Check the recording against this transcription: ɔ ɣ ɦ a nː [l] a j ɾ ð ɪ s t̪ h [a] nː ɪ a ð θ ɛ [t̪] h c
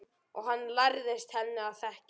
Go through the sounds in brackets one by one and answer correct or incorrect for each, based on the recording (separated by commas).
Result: correct, incorrect, incorrect